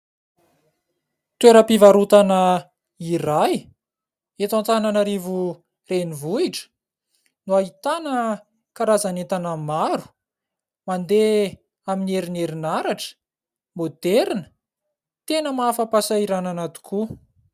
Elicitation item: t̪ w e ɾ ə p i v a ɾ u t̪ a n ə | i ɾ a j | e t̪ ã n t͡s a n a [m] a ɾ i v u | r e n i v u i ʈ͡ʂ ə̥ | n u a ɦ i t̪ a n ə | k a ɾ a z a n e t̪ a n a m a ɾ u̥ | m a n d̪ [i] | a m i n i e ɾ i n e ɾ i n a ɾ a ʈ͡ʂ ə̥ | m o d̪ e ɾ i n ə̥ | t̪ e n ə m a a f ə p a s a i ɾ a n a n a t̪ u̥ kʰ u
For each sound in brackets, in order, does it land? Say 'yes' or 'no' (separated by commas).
no, no